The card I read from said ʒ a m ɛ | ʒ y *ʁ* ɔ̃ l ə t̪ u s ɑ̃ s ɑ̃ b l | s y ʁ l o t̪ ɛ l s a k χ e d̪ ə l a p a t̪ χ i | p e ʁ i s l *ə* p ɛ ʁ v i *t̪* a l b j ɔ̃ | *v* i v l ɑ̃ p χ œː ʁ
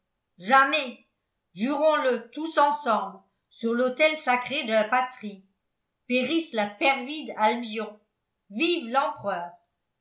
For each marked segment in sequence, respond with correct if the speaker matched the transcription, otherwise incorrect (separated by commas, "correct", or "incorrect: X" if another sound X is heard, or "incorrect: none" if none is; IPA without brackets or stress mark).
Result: correct, incorrect: a, incorrect: d̪, correct